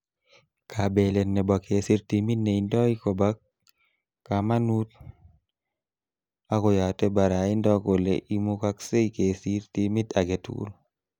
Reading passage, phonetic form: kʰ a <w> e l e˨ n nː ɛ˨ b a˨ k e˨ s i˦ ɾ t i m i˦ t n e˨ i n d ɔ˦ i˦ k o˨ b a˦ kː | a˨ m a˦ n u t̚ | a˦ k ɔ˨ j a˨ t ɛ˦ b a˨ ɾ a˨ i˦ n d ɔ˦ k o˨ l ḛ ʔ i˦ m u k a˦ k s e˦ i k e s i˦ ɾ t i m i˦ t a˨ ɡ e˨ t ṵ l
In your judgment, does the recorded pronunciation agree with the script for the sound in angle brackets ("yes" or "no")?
no